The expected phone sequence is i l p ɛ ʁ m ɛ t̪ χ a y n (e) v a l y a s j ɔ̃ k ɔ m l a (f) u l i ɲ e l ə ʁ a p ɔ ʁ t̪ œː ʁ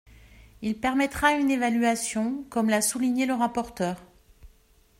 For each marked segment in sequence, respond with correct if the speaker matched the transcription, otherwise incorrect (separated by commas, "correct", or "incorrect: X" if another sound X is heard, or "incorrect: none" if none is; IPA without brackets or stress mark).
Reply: correct, incorrect: s